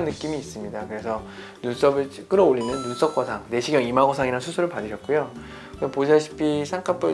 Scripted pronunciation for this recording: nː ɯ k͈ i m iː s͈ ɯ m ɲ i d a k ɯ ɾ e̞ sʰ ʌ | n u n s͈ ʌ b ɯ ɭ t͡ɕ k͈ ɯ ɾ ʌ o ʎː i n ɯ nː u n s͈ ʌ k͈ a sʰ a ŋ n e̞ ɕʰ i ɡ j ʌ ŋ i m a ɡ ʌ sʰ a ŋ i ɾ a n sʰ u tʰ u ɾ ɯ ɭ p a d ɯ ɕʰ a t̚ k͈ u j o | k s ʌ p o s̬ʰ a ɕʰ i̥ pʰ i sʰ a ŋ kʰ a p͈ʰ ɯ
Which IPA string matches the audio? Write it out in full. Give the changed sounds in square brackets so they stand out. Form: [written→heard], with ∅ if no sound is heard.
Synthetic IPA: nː ɯ k͈ i m iː s͈ ɯ m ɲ i d a k ɯ ɾ e̞ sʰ ʌ | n u n s͈ ʌ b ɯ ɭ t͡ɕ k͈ ɯ ɾ ʌ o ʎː i n ɯ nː u n s͈ ʌ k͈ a sʰ a ŋ n e̞ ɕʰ i ɡ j ʌ ŋ i m a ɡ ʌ sʰ a ŋ i ɾ a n sʰ u [tʰ→sʰ] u ɾ ɯ ɭ p a d ɯ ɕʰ [a→ʌ] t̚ k͈ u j o | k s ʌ p o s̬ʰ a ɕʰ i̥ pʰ i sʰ a ŋ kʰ a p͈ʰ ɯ